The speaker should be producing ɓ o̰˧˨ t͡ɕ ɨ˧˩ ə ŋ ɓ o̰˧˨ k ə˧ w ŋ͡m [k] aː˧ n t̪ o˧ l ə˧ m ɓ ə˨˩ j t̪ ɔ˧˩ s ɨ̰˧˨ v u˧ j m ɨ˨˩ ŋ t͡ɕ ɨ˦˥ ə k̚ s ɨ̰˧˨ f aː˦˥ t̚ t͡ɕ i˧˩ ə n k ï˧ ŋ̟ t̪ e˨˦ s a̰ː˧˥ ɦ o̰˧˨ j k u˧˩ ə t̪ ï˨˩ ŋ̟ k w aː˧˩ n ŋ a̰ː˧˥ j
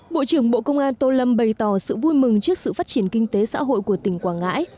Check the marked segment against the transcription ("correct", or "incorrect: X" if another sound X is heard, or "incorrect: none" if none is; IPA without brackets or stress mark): incorrect: ʔ